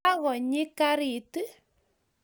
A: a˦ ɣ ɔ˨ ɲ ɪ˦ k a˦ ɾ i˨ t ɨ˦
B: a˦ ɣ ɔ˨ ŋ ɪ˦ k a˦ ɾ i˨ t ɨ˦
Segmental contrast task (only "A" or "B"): A